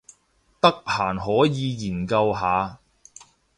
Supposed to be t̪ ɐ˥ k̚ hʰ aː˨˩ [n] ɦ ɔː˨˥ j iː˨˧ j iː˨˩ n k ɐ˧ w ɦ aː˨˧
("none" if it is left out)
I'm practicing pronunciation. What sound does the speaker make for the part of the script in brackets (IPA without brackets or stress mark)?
n